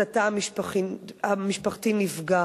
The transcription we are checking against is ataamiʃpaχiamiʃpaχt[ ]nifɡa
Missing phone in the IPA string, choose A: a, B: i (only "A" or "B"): B